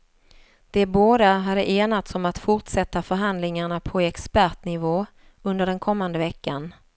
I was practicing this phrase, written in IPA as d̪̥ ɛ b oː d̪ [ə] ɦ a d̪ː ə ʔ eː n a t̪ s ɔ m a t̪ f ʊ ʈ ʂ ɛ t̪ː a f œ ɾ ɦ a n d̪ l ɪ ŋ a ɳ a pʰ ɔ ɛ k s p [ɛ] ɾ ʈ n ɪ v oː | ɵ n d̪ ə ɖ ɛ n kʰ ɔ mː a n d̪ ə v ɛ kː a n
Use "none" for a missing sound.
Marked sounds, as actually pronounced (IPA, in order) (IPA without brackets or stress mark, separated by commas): a, æ